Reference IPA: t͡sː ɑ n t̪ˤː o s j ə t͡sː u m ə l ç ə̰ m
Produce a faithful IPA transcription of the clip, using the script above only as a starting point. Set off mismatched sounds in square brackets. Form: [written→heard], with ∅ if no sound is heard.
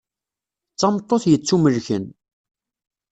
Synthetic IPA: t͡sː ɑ [n→m] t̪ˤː o [s→θ] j ə t͡sː u m ə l ç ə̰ [m→n]

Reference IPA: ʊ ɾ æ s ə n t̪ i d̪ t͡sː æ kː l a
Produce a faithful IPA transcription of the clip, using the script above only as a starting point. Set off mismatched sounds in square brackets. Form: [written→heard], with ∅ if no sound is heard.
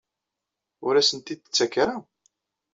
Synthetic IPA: ʊ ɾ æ s ə n t̪ i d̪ t͡sː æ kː [l→ɾ] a

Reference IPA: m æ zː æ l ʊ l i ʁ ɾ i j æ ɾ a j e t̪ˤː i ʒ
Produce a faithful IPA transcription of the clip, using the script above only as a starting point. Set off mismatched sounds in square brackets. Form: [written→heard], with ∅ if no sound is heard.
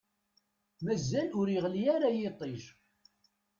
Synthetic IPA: m æ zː æ l ʊ [l→ɾ] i ʁ [ɾ→l] i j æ ɾ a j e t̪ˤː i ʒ

